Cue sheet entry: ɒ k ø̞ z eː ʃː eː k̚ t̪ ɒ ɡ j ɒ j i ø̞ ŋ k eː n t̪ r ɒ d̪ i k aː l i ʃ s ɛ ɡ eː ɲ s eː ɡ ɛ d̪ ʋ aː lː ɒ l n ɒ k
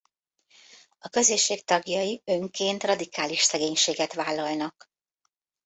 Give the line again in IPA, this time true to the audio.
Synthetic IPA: ɒ k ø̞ z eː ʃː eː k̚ t̪ ɒ ɡ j ɒ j i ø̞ ŋ k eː n t̪ r ɒ d̪ i k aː l i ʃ s ɛ ɡ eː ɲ ʃ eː ɡ ɛ t̪ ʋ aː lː ɒ l n ɒ k